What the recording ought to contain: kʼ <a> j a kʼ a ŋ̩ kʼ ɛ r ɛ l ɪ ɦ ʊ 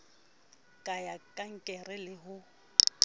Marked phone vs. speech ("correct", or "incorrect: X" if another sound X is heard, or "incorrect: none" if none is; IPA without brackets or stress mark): correct